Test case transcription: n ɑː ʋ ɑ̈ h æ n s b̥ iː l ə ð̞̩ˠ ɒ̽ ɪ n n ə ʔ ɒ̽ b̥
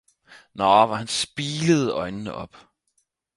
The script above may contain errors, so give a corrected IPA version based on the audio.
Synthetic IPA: n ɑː ʋ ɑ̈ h æ n s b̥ iː l ə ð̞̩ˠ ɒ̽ ɪ n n ə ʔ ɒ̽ b̥